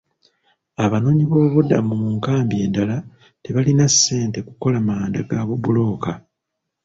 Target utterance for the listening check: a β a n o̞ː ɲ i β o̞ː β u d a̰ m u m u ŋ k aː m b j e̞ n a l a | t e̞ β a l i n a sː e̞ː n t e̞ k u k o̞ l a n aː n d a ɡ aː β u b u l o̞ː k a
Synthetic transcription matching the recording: a β a n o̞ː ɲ i β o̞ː β u d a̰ m u m u ŋ k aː m b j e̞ d a l a | t e̞ β a l i n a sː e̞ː n t e̞ k u k o̞ l a m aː n d a ɡ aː β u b u l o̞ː k a